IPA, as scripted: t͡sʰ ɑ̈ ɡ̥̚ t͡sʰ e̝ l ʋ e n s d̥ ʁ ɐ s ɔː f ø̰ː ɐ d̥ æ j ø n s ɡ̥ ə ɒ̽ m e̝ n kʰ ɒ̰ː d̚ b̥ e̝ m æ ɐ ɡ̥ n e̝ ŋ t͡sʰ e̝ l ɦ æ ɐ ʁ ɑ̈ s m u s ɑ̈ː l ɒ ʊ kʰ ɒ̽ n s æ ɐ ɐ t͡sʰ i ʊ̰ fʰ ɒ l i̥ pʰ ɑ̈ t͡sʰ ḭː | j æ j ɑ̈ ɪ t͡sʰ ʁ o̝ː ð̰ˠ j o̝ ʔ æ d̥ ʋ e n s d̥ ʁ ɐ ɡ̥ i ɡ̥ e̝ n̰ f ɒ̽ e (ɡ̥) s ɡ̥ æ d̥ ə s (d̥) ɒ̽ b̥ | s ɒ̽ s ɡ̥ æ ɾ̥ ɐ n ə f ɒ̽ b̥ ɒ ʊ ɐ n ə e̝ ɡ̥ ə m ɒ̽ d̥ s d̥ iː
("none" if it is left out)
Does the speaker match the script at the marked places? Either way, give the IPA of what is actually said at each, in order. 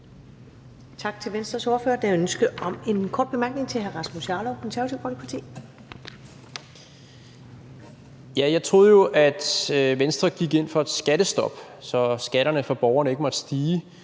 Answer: d̥, d̥

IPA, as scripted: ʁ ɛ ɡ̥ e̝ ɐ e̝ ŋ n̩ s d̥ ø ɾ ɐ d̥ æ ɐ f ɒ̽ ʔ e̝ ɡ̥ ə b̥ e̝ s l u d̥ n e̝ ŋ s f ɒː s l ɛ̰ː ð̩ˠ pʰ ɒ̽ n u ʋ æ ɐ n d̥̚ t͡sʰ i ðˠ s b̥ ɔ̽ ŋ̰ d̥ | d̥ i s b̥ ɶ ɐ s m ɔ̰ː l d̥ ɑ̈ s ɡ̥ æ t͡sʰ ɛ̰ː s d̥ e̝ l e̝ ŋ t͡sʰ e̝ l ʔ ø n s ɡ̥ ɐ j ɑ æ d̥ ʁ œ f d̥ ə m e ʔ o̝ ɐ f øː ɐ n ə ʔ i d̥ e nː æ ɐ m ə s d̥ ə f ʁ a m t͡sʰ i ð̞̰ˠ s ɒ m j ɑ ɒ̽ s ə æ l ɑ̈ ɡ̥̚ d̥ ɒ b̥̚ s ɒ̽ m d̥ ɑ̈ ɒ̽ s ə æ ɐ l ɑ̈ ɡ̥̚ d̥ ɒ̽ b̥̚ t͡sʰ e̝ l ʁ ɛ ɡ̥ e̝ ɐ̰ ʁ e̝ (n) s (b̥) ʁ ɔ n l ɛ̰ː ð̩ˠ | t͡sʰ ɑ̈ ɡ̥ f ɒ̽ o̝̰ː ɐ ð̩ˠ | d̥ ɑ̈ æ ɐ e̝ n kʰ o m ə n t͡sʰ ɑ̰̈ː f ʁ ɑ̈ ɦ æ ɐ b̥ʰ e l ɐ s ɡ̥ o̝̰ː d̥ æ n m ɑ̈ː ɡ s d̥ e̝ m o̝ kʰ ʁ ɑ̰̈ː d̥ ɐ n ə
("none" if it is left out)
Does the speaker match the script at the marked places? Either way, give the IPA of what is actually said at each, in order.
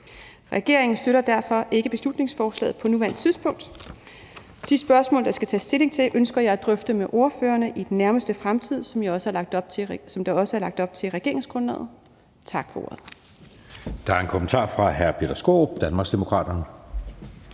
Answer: ŋ, ɡ̥

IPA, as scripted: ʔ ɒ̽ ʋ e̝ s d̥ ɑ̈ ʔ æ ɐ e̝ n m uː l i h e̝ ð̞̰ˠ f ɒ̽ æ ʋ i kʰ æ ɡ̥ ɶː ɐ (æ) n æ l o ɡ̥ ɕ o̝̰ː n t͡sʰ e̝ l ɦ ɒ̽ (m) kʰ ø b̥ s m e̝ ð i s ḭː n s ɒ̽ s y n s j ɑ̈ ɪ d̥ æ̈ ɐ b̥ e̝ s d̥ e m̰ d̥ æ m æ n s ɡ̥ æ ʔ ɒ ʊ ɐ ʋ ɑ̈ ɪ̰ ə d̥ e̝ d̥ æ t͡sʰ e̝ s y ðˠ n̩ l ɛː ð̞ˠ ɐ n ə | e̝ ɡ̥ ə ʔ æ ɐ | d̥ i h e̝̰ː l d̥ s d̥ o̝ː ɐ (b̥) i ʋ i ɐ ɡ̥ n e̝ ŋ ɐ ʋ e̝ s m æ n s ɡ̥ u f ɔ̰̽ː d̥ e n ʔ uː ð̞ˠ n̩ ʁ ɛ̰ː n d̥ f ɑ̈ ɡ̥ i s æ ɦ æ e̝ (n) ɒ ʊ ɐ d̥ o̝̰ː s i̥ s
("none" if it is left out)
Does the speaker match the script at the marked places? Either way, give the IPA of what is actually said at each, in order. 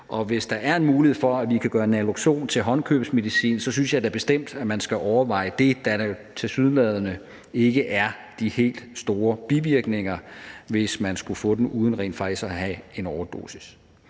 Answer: e, n, b̥, n

